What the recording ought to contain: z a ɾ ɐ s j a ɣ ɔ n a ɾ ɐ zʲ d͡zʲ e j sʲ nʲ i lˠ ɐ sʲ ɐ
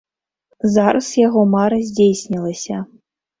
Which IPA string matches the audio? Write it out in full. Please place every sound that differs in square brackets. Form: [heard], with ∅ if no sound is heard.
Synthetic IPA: z a ɾ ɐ s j a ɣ ɔ [m] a ɾ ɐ zʲ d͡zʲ e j sʲ nʲ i lˠ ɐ sʲ ɐ

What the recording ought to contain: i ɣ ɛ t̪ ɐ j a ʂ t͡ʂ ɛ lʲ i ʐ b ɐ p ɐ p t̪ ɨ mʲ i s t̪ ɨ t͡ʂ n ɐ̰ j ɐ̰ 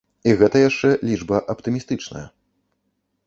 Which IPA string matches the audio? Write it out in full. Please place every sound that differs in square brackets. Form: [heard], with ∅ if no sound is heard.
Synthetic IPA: i ɣ ɛ t̪ ɐ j a ʂ t͡ʂ ɛ lʲ i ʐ b ɐ [ʔ] ɐ p t̪ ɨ mʲ i s t̪ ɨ t͡ʂ n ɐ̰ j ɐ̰

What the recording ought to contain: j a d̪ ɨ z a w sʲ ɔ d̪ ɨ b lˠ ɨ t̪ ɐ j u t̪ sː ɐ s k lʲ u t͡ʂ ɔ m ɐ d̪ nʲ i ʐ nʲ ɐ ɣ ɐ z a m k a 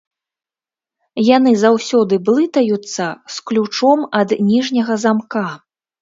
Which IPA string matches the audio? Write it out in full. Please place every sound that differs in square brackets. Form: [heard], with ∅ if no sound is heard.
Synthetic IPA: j a [n̪] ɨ z a w sʲ ɔ d̪ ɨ b lˠ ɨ t̪ ɐ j u t̪ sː ɐ s k lʲ u t͡ʂ ɔ m ɐ d̪ nʲ i ʐ nʲ ɐ ɣ ɐ z a m k a

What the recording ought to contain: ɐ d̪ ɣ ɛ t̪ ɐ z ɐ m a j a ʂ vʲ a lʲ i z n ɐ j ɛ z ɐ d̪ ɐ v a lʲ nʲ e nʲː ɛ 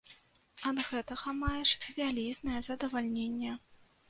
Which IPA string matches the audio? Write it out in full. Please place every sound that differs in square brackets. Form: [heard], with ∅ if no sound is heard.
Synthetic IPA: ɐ d̪ ɣ ɛ t̪ ɐ [ɣ] ɐ m a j [ɛ] ʂ vʲ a lʲ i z n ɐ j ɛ z ɐ d̪ ɐ v a lʲ nʲ e nʲː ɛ

